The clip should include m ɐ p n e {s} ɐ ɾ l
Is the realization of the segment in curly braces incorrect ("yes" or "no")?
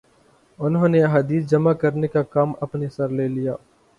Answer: no